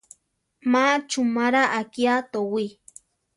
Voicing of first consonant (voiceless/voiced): voiced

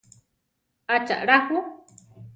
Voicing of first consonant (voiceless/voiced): voiceless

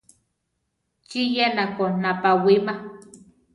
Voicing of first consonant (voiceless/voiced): voiceless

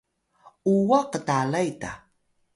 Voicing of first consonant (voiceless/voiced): voiced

